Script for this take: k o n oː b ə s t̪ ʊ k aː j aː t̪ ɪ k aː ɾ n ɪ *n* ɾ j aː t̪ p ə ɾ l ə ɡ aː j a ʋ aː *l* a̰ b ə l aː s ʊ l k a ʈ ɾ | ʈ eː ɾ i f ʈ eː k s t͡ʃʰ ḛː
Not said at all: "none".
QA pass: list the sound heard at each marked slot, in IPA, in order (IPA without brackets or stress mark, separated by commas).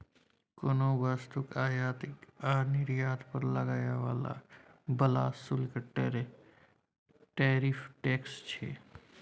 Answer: none, l